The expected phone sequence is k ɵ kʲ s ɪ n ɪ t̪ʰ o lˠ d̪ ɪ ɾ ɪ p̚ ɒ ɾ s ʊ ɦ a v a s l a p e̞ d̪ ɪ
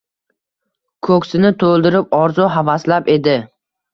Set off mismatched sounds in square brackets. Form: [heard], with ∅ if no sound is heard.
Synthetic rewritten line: [kʰ] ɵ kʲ s ɪ n ɪ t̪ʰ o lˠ d̪ ɪ ɾ ɪ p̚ ɒ ɾ [z] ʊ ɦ a v a s l a p e̞ d̪ ɪ